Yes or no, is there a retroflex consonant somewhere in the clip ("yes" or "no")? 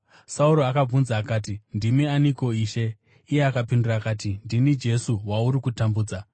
no